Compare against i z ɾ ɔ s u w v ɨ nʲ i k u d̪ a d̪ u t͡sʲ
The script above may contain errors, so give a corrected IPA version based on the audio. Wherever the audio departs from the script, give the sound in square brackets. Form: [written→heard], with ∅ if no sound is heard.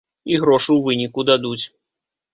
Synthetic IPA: i [z→ɣ] ɾ ɔ [s→ʂ] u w v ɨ nʲ i k u d̪ a d̪ u t͡sʲ